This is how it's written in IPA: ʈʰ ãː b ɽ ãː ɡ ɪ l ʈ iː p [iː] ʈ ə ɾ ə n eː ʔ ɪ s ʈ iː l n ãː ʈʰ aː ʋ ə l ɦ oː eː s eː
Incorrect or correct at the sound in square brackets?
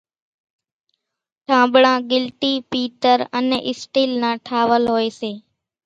correct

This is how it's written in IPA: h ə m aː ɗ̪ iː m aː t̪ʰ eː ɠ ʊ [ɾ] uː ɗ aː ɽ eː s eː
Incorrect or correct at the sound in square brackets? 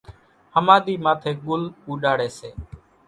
incorrect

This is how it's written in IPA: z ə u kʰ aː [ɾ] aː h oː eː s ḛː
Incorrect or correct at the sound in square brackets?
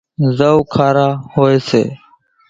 correct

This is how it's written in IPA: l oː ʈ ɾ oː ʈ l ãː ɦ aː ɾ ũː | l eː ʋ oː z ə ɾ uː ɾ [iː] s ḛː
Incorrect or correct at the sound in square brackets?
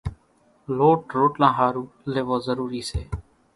correct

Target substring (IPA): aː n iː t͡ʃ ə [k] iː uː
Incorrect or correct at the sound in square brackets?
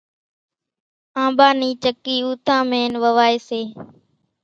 correct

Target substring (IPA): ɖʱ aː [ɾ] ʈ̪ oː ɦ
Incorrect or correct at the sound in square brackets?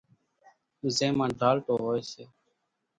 incorrect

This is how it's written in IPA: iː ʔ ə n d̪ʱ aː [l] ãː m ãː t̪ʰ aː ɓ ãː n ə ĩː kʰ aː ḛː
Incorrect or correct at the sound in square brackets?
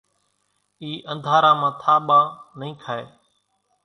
incorrect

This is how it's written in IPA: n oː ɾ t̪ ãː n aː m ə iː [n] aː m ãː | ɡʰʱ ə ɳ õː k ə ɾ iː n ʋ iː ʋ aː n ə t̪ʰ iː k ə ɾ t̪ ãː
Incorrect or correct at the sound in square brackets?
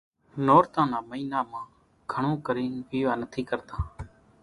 correct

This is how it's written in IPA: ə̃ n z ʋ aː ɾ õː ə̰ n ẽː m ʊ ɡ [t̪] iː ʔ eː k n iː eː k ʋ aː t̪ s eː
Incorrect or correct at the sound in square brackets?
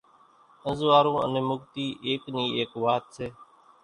correct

